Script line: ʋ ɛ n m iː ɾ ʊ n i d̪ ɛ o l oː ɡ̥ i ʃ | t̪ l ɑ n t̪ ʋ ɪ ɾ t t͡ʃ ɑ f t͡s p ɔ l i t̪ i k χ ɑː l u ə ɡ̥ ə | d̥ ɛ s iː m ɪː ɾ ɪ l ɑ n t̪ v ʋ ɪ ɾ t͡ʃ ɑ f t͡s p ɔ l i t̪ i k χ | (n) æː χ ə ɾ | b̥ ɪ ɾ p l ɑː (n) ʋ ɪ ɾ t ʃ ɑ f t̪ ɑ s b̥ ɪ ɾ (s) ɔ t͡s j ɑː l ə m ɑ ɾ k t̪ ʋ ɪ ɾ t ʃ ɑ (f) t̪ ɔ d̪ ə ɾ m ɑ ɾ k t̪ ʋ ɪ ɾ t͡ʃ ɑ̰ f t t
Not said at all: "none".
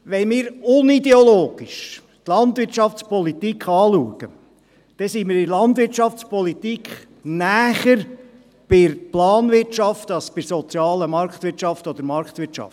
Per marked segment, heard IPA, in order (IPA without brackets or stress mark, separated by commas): n, n, s, f